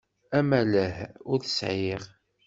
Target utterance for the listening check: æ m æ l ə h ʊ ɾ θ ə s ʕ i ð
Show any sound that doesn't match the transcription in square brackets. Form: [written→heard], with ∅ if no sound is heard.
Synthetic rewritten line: æ m æ l ə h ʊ ɾ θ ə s ʕ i [ð→ʁ]